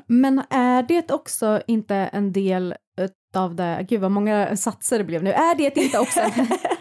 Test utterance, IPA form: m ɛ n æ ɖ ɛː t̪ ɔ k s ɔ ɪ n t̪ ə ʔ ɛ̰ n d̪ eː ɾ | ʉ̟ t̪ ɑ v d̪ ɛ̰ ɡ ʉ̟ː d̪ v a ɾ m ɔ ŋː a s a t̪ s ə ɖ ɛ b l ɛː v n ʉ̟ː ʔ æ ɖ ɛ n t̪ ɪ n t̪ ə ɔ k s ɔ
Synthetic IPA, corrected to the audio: m ɛ n æ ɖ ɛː t̪ ɔ k s ɔ ɪ n t̪ ə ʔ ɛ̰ n d̪ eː l | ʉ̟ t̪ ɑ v d̪ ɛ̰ ɡ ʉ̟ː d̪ v a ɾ m ɔ ŋː a s a t̪ s ə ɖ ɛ b l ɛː v n ʉ̟ː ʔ æ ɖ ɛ t̪ ɪ n t̪ ə ɔ k s ɔ